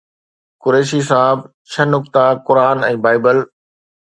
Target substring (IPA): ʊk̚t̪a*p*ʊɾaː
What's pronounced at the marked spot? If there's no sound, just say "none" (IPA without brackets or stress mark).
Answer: k